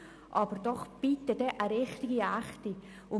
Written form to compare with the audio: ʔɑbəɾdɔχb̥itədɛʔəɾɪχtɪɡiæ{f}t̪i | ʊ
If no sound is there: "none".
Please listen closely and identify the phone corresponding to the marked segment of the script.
χ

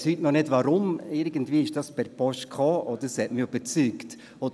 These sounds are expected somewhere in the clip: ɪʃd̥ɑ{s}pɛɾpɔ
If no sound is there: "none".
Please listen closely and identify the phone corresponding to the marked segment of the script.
s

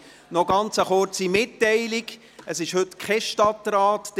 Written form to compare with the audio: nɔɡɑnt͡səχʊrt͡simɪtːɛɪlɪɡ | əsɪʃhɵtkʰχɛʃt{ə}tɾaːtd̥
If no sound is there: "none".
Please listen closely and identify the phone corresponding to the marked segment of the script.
ɑ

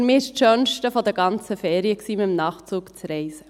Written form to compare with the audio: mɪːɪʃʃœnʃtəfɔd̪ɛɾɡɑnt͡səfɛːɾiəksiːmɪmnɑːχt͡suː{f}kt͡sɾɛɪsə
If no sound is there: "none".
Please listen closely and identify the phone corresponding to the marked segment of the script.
none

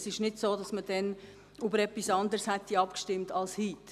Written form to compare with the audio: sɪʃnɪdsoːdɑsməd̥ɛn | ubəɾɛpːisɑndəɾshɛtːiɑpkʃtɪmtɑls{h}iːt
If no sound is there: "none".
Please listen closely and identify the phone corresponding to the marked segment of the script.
h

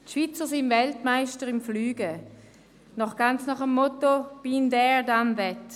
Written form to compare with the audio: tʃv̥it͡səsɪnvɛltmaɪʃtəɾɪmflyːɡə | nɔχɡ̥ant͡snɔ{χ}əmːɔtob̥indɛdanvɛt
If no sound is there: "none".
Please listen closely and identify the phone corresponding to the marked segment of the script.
χ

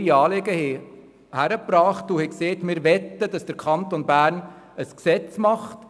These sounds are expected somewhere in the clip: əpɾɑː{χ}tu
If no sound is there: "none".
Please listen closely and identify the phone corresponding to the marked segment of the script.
χ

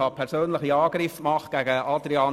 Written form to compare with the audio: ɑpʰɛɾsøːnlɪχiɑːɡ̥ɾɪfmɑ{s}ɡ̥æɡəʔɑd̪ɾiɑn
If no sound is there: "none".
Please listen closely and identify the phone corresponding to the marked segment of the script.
χ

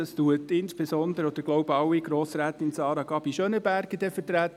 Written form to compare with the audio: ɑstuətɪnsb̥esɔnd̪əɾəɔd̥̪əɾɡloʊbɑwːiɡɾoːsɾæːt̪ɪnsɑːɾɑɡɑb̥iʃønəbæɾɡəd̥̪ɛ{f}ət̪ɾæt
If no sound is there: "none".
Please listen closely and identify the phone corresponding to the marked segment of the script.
f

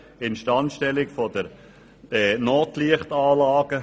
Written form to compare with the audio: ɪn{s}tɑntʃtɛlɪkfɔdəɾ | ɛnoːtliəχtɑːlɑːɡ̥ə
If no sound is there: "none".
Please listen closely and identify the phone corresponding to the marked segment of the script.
ʃ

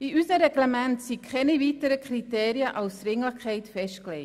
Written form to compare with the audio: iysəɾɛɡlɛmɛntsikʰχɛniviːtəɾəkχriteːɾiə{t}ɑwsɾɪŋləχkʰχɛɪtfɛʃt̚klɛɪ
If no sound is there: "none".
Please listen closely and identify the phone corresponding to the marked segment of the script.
ʔ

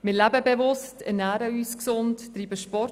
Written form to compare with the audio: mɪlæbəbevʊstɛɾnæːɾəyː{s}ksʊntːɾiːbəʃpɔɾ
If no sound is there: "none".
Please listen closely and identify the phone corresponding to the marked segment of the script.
s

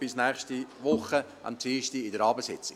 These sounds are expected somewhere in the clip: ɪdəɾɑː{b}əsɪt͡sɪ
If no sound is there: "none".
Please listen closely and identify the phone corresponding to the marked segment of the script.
b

